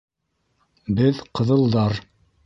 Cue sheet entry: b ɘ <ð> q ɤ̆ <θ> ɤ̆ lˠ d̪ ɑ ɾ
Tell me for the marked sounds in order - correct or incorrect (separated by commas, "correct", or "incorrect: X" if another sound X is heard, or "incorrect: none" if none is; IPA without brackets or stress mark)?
correct, incorrect: ð